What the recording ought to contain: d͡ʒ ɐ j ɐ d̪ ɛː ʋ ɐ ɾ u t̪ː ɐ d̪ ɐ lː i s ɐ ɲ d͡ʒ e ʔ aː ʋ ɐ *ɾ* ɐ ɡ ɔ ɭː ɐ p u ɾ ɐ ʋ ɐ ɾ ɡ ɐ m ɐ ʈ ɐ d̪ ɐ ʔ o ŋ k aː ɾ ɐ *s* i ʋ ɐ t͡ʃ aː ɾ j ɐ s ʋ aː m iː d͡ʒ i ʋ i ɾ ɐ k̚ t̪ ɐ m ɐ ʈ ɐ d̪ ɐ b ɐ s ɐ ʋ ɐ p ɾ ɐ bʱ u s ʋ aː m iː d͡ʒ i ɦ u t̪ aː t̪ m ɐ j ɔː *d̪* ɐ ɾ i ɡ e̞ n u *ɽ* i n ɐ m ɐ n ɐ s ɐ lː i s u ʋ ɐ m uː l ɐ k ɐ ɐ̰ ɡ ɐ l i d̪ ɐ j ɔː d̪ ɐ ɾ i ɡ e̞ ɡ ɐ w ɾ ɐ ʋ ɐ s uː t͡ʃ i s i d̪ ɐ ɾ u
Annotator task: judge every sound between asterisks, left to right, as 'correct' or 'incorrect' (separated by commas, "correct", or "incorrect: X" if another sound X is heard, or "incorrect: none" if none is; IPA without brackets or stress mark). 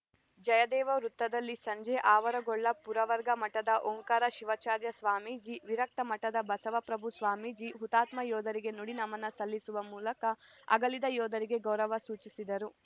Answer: correct, incorrect: ʃ, correct, correct